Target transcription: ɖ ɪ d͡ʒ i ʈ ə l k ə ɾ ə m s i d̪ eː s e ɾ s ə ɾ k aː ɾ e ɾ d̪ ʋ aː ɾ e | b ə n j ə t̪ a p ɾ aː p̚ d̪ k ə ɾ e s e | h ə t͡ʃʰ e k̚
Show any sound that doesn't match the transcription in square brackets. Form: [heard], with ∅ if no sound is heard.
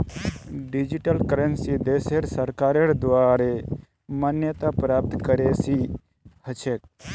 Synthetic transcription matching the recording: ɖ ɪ d͡ʒ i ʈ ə l k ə ɾ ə [n] s i d̪ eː s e ɾ s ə ɾ k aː ɾ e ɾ d̪ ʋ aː ɾ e | [m] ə n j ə t̪ a p ɾ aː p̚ [t̪] k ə ɾ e s [i] | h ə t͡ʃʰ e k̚